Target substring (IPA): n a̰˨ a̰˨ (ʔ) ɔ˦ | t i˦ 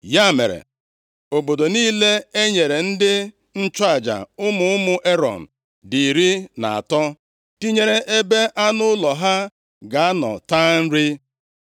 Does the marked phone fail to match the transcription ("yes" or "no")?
yes